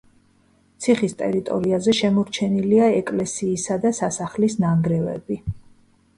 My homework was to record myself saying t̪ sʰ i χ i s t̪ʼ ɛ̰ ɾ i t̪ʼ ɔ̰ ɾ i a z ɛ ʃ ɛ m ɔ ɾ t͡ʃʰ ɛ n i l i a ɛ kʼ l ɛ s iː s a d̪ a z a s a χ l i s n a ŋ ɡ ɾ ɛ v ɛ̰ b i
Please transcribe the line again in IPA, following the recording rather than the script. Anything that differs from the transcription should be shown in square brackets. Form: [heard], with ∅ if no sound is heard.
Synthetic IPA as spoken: t̪ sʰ i χ i s t̪ʼ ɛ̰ ɾ i t̪ʼ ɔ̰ ɾ i a z ɛ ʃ ɛ m ɔ ɾ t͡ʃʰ ɛ n i l i a ɛ kʼ l ɛ s iː s a d̪ a [s] a s a χ l i s n a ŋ ɡ ɾ ɛ v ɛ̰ b i

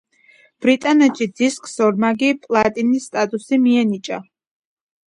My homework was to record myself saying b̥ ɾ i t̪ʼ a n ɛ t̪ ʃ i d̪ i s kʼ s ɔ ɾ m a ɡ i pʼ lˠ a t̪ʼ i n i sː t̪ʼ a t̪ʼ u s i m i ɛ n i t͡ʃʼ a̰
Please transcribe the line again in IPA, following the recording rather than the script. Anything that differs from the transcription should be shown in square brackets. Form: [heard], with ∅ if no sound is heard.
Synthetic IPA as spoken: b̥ ɾ i t̪ʼ a n ɛ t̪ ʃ i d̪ i s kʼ s ɔ ɾ m a ɡ i pʼ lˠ a t̪ʼ i n i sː t̪ʼ a t̪ʼ u s i m i ɛ n i t͡ʃʼ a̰

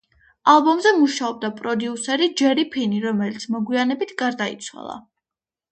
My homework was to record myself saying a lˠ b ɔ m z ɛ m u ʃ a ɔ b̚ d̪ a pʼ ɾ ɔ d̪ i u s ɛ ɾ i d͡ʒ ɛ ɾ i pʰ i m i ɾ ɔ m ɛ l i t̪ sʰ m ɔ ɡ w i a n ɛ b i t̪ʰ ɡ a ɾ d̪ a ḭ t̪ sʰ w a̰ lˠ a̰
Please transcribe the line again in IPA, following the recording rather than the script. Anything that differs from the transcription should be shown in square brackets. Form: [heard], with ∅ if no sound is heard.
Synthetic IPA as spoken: a lˠ b ɔ m z ɛ m u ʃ a ɔ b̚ d̪ a pʼ ɾ ɔ d̪ i u s ɛ ɾ i d͡ʒ ɛ ɾ i pʰ i [n] i ɾ ɔ m ɛ l i t̪ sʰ m ɔ ɡ w i a n ɛ b i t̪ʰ ɡ a ɾ d̪ a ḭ t̪ sʰ w a̰ lˠ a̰

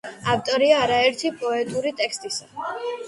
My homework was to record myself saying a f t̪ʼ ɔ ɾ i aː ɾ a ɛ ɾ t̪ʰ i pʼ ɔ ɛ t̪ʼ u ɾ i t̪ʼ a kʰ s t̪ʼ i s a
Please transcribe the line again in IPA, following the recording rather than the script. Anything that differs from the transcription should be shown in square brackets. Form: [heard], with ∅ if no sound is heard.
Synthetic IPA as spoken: a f t̪ʼ ɔ ɾ i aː ɾ a ɛ ɾ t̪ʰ i pʼ ɔ ɛ t̪ʼ u ɾ i t̪ʼ [ɛ] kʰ s t̪ʼ i s a

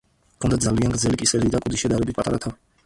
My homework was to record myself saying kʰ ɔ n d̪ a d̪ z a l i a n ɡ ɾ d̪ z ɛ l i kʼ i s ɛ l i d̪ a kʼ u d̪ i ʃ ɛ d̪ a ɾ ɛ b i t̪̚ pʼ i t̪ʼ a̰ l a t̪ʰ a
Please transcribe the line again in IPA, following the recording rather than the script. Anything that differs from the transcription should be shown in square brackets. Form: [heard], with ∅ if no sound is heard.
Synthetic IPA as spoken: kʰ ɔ n d̪ a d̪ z a l i a n ɡ ɾ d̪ z ɛ l i kʼ i s ɛ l i d̪ a kʼ u d̪ i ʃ ɛ d̪ a ɾ ɛ b i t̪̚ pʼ [a] t̪ʼ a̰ [ɾ] a t̪ʰ a

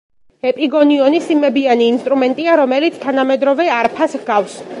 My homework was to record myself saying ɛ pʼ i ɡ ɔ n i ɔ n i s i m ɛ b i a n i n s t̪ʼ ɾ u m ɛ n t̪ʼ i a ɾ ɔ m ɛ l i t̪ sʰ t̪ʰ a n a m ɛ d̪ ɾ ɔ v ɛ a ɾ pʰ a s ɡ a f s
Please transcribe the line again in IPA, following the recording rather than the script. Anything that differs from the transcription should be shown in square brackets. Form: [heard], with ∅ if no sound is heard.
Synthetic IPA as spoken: ɛ pʼ i ɡ ɔ n i ɔ n i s i m ɛ b i a n [iː] n s t̪ʼ ɾ u m ɛ n t̪ʼ i a ɾ ɔ m ɛ l i t̪ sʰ t̪ʰ a n a m ɛ d̪ ɾ ɔ v ɛ a ɾ pʰ a s ɡ a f s

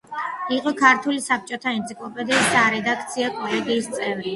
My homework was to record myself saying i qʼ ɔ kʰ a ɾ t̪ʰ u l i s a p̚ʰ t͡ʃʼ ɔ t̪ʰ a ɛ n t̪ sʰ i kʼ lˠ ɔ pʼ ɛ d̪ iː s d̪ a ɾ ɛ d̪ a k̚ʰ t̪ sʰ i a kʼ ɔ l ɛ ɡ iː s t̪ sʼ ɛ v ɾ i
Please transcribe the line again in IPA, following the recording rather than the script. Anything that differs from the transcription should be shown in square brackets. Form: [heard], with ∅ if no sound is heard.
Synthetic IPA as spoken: i qʼ ɔ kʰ a ɾ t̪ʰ u l i s a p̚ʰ t͡ʃʼ ɔ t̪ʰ a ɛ n t̪ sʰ i kʼ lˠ ɔ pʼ ɛ d̪ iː s d̪ a ɾ ɛ d̪ a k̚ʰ t̪ sʰ i a kʼ ɔ l ɛ ɡ iː s t̪ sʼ ɛ v ɾ i

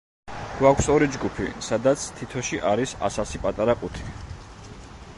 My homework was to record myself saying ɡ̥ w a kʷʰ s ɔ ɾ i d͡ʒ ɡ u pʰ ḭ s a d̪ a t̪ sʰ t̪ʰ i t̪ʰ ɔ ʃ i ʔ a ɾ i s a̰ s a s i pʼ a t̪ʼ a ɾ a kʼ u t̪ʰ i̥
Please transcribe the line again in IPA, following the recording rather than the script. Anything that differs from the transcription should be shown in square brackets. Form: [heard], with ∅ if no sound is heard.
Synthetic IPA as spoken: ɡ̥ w a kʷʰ s ɔ ɾ i d͡ʒ ɡ u pʰ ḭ s a d̪ a t̪ sʰ t̪ʰ i t̪ʰ ɔ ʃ i ʔ a ɾ i s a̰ s a s i pʼ a t̪ʼ a ɾ a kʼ u t̪ʰ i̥

